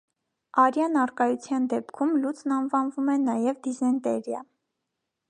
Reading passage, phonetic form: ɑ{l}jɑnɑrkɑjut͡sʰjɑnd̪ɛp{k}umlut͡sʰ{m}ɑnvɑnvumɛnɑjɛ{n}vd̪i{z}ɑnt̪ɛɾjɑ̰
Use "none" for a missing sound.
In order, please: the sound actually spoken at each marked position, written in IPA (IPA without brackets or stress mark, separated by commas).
ɾ, kʰ, n, none, z